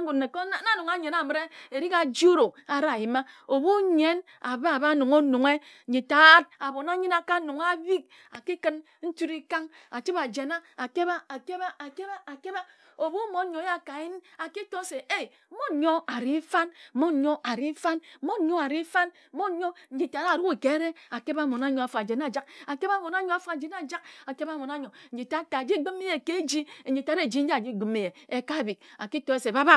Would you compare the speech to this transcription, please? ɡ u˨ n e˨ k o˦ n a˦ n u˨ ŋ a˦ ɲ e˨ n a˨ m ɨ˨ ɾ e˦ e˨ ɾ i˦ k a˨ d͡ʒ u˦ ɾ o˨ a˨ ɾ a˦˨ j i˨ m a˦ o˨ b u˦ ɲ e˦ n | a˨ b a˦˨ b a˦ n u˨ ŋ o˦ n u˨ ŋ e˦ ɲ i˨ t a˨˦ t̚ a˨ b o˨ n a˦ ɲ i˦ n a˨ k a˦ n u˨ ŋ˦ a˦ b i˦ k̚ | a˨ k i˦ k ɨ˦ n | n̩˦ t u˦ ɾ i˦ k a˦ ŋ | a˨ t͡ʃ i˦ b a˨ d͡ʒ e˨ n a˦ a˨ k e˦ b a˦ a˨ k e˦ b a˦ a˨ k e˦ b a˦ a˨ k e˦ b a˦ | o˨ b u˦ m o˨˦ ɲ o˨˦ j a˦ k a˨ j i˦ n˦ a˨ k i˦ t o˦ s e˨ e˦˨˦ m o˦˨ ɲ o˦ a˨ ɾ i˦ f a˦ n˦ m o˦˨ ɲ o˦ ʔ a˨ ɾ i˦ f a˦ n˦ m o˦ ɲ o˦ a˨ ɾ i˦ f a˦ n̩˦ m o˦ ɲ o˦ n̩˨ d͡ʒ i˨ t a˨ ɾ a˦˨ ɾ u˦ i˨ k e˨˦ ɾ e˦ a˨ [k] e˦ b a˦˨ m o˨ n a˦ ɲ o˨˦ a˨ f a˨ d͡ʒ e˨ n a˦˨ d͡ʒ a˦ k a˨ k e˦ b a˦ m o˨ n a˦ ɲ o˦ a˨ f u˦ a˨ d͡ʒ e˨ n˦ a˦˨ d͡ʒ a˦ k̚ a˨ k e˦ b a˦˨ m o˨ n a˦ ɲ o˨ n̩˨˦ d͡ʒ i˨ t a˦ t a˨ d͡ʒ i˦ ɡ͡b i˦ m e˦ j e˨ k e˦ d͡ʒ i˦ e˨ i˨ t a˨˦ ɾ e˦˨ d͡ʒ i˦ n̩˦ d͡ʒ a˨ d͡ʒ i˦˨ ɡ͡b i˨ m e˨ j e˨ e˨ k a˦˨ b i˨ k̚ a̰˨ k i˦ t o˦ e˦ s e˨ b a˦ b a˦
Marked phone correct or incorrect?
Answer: correct